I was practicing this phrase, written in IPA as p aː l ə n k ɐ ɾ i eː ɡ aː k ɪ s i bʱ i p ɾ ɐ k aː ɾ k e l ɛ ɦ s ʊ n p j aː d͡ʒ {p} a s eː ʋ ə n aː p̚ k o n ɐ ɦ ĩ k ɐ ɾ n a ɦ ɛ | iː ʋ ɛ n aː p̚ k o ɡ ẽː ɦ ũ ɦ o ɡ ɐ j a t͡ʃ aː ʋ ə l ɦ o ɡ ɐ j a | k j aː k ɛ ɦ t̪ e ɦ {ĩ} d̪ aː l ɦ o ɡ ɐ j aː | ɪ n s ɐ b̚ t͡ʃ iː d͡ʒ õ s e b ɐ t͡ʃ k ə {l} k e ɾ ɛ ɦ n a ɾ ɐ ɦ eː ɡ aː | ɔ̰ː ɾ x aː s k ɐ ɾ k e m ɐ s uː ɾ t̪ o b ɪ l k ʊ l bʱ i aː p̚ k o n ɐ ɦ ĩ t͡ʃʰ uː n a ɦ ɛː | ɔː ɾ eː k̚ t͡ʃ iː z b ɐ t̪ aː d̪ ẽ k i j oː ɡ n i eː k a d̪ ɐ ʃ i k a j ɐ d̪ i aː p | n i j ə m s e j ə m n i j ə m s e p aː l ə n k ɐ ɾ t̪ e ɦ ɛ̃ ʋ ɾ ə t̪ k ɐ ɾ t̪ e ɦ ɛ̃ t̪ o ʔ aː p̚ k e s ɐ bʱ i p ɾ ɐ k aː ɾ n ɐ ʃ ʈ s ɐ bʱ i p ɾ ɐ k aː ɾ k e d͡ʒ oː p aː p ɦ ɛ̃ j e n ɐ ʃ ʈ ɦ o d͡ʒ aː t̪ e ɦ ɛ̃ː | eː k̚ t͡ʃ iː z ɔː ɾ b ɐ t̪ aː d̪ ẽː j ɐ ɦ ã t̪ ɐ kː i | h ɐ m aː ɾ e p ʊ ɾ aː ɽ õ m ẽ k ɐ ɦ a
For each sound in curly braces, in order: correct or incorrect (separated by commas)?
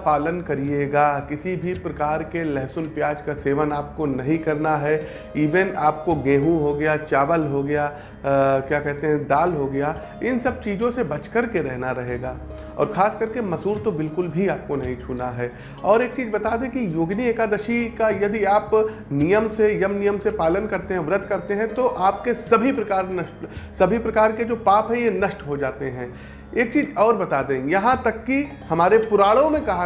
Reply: incorrect, incorrect, incorrect